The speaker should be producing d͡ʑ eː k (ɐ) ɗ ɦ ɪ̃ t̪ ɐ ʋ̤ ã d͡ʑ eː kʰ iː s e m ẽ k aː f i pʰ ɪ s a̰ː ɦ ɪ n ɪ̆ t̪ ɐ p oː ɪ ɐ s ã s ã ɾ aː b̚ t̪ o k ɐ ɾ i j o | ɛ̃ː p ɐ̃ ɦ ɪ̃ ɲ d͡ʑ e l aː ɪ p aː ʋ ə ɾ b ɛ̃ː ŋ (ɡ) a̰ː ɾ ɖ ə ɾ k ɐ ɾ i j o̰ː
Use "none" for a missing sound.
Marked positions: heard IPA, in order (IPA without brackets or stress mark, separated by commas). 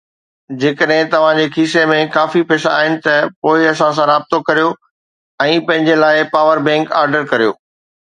ə, k